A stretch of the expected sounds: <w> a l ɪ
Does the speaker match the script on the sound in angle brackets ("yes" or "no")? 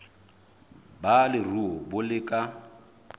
no